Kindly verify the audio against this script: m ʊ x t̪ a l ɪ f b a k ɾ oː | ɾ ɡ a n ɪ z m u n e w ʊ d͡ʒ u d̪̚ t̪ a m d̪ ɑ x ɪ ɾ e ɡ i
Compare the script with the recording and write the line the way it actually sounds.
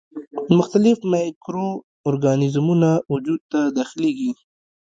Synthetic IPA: m ʊ x t̪ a l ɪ f m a k ɾ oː | ɾ ɡ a n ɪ z m u n a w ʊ d͡ʒ u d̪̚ t̪ a d̪ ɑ x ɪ l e ɡ i